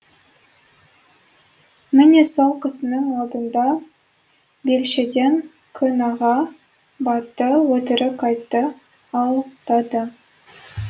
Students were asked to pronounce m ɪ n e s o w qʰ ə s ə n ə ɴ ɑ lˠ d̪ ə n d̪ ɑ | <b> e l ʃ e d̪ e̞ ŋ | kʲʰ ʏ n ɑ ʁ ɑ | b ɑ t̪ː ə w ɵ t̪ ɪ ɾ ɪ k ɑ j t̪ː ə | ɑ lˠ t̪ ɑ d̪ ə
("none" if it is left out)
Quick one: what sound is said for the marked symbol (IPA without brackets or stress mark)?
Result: b